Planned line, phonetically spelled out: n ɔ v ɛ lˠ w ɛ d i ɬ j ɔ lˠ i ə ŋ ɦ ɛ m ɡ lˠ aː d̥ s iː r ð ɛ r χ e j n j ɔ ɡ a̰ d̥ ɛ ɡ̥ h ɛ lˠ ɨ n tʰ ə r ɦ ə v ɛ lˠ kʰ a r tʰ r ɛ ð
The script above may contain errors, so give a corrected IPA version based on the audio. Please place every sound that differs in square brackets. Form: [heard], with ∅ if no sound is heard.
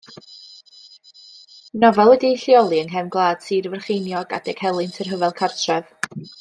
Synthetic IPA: n ɔ v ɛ lˠ w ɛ d i ɬ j ɔ lˠ i ə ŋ ɦ ɛ m ɡ lˠ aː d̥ s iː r [v] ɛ r χ e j n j ɔ ɡ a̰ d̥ ɛ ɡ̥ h ɛ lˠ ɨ n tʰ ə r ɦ ə v ɛ lˠ kʰ a r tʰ r ɛ [v]